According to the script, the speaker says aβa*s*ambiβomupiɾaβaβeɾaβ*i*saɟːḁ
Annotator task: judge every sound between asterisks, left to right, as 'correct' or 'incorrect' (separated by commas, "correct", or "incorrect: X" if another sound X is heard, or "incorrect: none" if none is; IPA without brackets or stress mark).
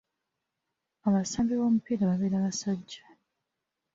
correct, incorrect: a